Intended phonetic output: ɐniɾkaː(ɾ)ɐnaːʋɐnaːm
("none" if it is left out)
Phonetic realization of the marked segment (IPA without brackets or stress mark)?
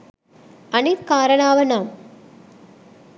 ɾ